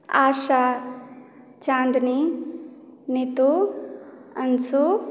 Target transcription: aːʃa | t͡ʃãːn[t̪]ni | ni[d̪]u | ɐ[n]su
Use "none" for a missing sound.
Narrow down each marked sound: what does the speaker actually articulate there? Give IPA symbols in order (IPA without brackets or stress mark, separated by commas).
d̪, t̪, n